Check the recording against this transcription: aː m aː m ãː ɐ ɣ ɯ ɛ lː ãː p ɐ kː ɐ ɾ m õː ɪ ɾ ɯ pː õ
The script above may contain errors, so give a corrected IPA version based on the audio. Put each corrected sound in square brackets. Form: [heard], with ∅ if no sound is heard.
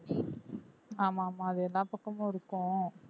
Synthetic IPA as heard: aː m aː m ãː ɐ [ð] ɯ ɛ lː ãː p ɐ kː ɐ [∅] m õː ɪ ɾ ɯ [kː] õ